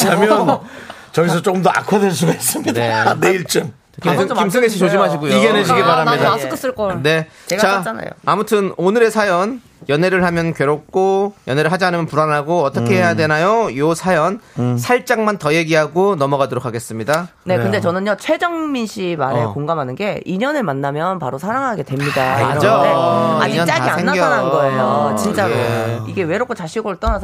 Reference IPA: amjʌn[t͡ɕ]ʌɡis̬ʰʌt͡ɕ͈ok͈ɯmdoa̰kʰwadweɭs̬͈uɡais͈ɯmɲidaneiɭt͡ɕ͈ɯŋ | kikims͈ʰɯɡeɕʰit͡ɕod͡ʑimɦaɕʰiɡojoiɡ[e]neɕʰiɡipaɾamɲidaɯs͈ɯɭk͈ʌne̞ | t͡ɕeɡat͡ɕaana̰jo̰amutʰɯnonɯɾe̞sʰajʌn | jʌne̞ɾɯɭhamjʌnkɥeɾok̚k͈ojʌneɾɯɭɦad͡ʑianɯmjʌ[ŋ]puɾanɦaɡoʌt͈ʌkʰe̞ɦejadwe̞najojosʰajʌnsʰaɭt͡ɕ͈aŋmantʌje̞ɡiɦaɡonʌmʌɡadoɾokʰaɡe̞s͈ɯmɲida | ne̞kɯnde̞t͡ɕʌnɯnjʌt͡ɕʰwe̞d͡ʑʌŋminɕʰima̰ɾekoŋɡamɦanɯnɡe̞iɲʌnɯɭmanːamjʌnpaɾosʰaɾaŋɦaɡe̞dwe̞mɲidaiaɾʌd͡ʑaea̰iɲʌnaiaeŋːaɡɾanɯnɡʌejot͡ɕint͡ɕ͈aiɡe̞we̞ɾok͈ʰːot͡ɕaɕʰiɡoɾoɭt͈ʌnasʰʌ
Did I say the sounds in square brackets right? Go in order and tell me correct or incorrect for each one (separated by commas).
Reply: correct, correct, incorrect